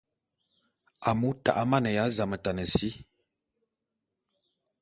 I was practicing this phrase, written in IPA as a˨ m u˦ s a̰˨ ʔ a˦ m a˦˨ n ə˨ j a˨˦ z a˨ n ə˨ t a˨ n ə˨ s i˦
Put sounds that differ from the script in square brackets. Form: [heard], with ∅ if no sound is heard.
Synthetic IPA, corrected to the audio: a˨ m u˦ [t] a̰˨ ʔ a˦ m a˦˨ n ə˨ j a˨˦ z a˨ [m] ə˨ t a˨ n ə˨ s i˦